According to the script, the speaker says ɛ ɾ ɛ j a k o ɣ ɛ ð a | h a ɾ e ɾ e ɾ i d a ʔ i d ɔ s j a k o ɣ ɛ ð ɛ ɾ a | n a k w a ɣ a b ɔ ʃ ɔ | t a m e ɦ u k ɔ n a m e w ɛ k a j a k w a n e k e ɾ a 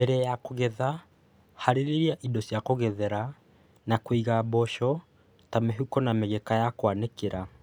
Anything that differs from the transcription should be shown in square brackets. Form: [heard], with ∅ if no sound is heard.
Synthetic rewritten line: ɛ ɾ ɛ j a k o ɣ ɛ ð a | h a ɾ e ɾ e ɾ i [∅] a ʔ i d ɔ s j a k o ɣ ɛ ð ɛ ɾ a | n a k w [i] ɣ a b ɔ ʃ ɔ | t a m e ɦ u k ɔ n a m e [ɣ] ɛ k a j a k w a n e k e ɾ a